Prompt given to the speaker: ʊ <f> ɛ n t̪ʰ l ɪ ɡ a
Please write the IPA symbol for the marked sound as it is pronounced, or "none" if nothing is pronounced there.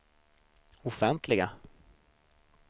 f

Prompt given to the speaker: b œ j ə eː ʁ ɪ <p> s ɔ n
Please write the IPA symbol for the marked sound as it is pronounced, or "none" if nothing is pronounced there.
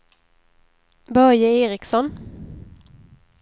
k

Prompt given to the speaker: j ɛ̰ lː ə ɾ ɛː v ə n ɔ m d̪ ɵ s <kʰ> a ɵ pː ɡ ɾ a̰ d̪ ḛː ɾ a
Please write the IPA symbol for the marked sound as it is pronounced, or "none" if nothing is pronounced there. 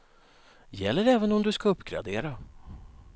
k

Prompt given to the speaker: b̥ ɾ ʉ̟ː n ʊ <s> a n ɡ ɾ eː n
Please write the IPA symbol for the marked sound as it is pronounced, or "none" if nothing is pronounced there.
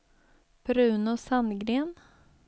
s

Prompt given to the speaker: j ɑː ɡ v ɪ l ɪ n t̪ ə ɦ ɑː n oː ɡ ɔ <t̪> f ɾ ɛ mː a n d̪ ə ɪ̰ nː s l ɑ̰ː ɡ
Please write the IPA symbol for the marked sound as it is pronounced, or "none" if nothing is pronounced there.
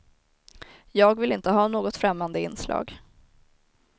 t̪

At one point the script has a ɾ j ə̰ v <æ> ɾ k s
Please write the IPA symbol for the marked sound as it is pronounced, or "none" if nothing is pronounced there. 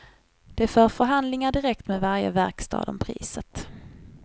æ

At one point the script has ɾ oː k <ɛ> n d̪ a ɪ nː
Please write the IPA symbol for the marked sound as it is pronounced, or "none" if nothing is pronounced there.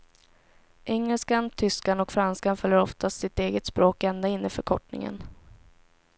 ɛ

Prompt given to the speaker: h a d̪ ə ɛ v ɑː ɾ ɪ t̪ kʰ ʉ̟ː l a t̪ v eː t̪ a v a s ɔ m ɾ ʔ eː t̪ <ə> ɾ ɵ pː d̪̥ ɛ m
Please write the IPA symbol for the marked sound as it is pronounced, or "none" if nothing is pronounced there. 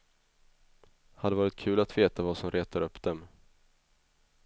a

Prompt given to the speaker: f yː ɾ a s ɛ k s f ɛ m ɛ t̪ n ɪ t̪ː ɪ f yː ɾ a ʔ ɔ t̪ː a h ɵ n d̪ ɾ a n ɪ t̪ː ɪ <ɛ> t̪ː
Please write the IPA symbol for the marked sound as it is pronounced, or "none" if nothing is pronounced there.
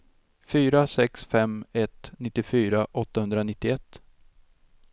ɛ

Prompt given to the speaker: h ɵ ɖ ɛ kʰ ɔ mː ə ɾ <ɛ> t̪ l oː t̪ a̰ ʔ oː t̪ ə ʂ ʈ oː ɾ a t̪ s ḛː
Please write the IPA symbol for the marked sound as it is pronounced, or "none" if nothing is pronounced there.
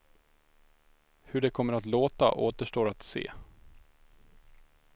a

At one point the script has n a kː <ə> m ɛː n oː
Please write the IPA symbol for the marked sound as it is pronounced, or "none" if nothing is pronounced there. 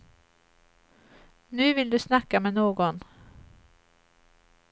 a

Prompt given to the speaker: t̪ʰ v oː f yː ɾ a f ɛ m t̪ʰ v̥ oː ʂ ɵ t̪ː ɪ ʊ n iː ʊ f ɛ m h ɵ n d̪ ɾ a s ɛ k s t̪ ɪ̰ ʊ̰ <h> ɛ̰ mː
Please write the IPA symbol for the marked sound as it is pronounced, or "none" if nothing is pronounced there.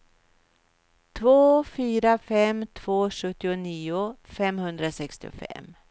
f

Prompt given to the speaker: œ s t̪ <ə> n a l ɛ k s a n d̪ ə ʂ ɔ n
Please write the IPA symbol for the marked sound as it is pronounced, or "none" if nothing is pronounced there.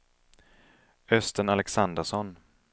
ə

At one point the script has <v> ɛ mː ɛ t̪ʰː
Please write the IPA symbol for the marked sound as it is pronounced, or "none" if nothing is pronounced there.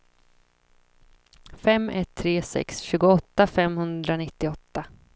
f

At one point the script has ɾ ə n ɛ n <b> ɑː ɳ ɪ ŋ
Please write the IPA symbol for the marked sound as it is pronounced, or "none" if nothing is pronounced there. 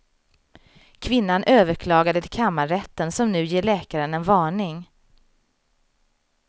v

